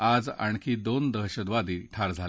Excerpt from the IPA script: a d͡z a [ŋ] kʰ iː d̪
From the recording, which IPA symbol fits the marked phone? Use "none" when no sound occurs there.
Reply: ɳ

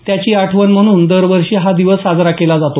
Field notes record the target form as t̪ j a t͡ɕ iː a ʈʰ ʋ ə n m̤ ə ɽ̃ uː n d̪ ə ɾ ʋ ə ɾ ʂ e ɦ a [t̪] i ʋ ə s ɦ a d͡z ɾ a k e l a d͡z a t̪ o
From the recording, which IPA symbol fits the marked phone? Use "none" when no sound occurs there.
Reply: d̪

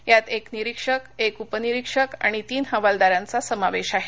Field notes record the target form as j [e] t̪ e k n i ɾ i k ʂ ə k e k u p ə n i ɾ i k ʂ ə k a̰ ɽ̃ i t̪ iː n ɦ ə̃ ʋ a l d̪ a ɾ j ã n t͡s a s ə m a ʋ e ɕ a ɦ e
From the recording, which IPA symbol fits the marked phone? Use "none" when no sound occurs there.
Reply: a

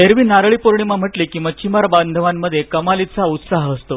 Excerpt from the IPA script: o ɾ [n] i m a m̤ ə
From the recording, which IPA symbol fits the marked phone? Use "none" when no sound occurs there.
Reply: ɳ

